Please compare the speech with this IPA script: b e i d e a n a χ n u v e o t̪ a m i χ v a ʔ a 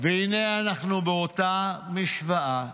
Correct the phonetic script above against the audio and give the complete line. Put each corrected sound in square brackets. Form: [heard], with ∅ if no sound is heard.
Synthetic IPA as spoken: [v] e i [n] e a n a χ n u [b] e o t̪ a m i [ʃ] v a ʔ a